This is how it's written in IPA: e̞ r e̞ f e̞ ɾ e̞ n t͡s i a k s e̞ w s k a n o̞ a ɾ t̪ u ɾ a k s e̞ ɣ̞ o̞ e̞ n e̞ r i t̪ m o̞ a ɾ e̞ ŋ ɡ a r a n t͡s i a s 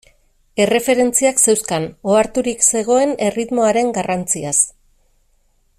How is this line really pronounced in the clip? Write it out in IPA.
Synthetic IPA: e̞ r e̞ f e̞ ɾ e̞ n t͡s i a k s e̞ w s k a n o̞ a ɾ t̪ u ɾ i k s e̞ ɣ̞ o̞ e̞ n e̞ r i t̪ m o̞ a ɾ e̞ ŋ ɡ a r a n t͡s i a s